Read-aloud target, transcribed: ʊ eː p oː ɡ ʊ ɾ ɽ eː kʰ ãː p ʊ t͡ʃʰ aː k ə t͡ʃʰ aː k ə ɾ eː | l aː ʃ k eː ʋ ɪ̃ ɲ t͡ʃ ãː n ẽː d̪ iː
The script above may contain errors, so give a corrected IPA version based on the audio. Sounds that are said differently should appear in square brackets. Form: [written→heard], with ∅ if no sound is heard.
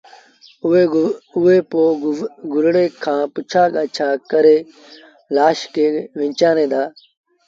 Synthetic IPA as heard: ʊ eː p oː ɡ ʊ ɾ ɽ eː kʰ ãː p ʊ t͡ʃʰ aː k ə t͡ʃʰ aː k ə ɾ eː | l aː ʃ k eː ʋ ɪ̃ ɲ t͡ʃ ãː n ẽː d̪ [iː→aː]